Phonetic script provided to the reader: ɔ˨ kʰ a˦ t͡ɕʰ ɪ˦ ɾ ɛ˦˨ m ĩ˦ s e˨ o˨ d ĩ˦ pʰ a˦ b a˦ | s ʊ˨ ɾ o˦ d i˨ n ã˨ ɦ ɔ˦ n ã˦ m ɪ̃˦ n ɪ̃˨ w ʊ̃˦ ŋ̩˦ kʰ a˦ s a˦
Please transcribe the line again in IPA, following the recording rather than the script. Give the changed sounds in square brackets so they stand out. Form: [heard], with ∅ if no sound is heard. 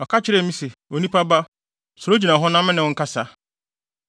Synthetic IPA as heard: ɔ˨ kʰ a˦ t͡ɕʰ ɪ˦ ɾ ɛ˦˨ m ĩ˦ s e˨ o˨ [n] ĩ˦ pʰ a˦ b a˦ | s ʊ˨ ɾ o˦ [d͡ʑ] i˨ n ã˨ ɦ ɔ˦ n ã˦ m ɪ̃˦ n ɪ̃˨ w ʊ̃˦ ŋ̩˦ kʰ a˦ s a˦

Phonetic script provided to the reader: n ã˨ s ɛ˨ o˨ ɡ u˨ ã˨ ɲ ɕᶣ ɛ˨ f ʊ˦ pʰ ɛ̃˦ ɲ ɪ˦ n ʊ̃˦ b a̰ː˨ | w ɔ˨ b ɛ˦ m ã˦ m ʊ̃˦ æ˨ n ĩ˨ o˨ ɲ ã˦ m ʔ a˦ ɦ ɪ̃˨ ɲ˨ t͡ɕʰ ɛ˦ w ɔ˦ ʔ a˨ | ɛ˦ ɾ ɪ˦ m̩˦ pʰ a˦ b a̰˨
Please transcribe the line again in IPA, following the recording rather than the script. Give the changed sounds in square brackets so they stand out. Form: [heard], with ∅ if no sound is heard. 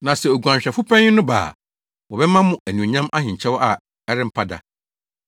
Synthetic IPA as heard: n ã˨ s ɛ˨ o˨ ɡ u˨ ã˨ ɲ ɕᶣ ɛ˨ f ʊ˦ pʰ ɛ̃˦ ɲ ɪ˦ n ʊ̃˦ b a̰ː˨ | w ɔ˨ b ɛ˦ m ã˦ m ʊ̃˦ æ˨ n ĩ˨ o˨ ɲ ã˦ m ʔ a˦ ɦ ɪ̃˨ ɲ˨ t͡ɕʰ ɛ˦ w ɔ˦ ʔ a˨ | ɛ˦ ɾ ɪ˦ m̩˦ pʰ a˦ [d] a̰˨

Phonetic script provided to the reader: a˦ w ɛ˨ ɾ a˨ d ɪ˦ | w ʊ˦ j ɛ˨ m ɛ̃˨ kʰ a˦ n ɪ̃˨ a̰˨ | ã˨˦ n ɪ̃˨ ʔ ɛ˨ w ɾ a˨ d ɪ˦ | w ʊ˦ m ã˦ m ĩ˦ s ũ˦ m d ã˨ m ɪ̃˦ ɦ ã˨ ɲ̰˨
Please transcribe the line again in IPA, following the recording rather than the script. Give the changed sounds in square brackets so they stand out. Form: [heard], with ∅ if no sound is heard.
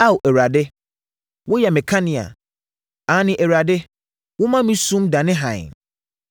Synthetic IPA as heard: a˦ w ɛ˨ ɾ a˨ d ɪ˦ | w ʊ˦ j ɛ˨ m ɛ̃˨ kʰ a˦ n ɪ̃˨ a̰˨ | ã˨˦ n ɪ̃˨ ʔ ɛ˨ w ɾ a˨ d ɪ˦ | w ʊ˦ m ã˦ m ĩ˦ s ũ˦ m d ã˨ [n] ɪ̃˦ ɦ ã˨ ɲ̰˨

